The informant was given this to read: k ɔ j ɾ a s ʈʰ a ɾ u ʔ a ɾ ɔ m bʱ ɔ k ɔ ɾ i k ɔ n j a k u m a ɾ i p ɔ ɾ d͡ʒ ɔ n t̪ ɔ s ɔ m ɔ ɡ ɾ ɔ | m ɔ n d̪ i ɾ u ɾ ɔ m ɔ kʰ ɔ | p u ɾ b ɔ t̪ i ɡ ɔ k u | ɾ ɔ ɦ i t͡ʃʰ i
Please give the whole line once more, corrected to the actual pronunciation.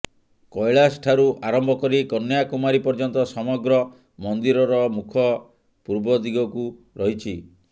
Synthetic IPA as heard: k ɔ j ɭ a s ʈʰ a ɾ u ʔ a ɾ ɔ m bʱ ɔ k ɔ ɾ i k ɔ n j a k u m a ɾ i p ɔ ɾ d͡ʒ ɔ n t̪ ɔ s ɔ m ɔ ɡ ɾ ɔ | m ɔ n d̪ i ɾ ɔ ɾ ɔ m u kʰ ɔ | p u ɾ b ɔ d̪ i ɡ ɔ k u | ɾ ɔ ɦ i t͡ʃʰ i